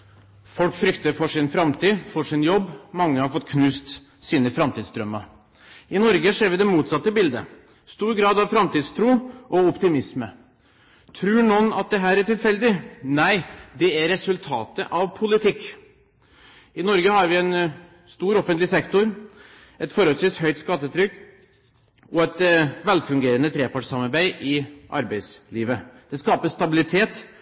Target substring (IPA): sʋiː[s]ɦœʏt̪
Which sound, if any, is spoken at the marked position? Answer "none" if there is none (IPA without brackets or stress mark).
s